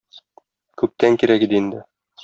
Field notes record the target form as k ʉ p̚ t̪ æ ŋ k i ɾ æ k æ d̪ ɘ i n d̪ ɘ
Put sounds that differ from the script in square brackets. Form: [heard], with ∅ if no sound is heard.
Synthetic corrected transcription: k ʉ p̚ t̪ æ ŋ k i ɾ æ k [i] d̪ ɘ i n d̪ ɘ